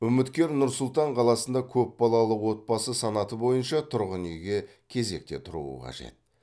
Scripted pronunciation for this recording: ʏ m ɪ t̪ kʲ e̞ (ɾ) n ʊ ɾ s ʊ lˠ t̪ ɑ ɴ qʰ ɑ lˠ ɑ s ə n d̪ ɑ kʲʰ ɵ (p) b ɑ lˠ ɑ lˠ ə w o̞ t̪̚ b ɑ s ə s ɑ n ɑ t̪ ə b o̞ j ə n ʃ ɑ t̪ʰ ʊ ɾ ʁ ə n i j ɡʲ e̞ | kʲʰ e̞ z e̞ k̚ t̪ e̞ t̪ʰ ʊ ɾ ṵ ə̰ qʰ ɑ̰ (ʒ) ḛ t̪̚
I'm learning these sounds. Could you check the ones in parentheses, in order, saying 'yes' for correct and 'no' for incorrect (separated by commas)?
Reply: yes, yes, yes